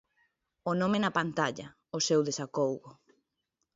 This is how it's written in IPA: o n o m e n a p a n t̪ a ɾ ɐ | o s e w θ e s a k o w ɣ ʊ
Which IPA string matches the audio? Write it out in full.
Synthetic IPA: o n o m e n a p a n t̪ a ʎ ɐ | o s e w ð e s a k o w ɣ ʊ